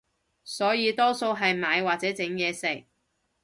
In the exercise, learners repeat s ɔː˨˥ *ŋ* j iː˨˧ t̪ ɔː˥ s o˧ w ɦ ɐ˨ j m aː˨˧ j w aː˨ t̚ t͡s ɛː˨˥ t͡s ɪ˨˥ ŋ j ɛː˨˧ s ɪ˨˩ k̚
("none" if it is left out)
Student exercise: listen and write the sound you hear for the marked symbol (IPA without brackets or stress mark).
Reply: none